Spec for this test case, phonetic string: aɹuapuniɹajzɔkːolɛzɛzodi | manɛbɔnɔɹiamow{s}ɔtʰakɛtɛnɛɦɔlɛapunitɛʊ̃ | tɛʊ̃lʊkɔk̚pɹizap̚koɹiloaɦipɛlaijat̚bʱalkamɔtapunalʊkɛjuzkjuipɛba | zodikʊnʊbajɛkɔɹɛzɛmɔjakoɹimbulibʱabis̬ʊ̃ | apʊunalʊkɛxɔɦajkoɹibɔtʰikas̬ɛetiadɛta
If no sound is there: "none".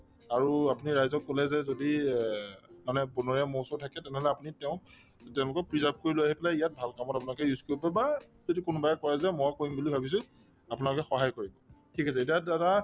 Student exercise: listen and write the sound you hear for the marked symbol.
s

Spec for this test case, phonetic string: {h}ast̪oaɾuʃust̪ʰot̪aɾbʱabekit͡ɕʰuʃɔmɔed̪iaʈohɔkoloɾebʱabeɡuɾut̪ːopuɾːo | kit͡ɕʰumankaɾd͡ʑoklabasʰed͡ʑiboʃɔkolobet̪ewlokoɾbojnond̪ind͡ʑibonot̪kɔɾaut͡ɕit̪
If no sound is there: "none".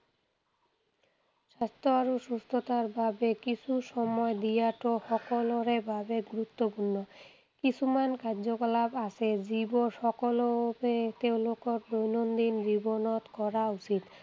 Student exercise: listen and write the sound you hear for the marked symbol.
ʃ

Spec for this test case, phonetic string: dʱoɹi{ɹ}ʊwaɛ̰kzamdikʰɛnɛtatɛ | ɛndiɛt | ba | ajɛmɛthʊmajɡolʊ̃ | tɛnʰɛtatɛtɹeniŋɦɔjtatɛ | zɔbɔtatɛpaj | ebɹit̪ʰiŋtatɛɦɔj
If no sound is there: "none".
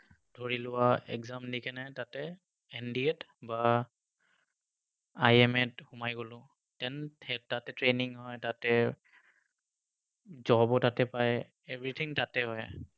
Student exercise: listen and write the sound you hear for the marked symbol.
l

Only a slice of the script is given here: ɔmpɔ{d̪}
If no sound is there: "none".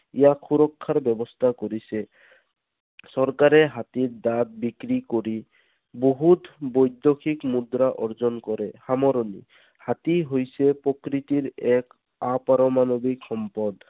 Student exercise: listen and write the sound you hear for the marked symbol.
d̪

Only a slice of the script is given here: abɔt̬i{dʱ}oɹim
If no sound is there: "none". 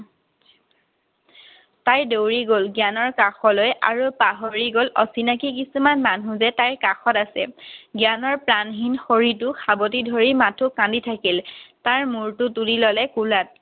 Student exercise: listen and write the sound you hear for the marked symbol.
dʱ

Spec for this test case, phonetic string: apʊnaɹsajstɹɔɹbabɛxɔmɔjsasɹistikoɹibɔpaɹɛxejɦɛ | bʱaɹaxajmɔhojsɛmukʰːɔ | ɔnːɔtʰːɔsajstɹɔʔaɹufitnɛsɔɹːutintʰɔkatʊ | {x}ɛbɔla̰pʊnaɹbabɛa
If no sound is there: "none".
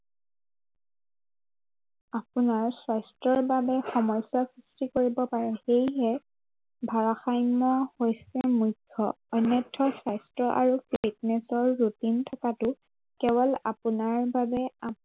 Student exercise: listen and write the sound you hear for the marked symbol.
k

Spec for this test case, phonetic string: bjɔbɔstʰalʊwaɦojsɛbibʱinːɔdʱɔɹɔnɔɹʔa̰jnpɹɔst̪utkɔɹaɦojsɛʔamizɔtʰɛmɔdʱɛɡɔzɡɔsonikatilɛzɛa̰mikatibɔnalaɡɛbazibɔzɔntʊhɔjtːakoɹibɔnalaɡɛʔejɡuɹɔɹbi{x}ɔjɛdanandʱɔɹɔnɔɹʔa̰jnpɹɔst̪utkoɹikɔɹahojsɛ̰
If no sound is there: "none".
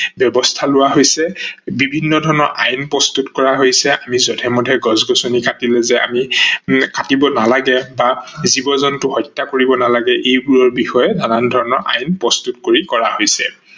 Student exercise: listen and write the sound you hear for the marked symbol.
x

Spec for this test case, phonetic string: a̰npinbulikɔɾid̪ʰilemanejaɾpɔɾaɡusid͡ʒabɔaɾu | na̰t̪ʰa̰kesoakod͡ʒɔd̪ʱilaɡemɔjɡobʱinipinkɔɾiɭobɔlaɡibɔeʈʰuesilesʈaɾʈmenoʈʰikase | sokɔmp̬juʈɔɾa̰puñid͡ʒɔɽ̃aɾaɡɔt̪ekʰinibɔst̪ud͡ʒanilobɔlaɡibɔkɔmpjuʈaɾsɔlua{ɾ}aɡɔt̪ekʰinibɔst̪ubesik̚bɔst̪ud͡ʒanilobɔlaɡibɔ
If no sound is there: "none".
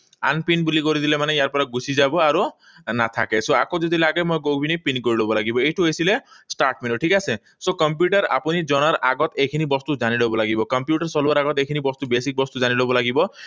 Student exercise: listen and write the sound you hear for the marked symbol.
ɾ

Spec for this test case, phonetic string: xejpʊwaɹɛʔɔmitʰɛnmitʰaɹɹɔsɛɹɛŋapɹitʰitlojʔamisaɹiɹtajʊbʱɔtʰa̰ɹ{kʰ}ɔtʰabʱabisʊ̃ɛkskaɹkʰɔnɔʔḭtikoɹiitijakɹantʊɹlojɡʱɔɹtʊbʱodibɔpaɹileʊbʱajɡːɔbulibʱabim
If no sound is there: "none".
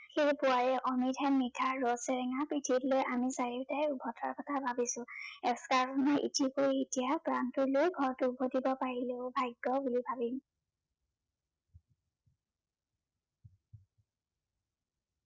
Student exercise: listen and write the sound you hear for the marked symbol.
k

